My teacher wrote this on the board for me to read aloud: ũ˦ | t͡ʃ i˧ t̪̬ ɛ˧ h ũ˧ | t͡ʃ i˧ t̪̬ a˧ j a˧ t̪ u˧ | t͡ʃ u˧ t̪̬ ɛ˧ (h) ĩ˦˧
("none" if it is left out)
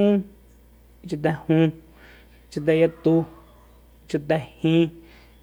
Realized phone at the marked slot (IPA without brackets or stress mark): h